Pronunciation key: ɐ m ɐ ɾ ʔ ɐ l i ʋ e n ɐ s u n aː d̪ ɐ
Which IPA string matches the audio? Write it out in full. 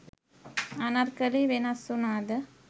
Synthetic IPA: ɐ n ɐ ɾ k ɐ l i ʋ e n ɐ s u n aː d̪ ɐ